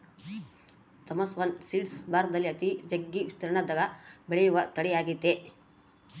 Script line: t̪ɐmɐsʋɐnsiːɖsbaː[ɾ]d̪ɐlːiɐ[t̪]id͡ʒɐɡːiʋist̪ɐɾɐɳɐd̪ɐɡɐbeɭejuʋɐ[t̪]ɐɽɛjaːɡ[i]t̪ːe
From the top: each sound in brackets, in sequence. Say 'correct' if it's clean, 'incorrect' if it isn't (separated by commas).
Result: correct, correct, correct, correct